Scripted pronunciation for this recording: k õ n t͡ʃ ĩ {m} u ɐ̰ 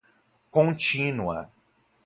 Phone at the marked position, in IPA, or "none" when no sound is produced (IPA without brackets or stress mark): n